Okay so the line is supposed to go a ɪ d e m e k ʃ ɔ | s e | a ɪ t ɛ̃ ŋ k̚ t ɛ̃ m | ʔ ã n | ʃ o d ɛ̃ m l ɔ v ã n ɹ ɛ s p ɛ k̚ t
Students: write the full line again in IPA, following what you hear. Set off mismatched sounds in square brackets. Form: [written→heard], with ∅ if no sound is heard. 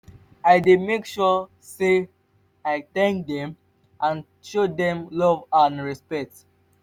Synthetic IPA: a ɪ d e m e k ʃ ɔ | s e | a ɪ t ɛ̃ ŋ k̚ [t→d] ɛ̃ m | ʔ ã n | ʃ o d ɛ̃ m l ɔ v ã n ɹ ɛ s p ɛ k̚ t